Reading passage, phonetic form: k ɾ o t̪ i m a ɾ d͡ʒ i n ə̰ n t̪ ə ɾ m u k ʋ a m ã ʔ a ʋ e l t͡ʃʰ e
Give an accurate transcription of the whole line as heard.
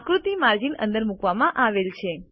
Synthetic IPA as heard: k ɾ u t̪ i m a ɾ d͡ʒ i n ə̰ n d̪ ə ɾ m u k ʋ a m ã ʔ a ʋ e l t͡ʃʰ e